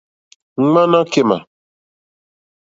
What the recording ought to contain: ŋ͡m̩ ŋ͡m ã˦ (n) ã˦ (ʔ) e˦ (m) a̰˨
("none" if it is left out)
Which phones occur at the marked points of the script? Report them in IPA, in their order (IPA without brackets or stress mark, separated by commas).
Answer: n, k, m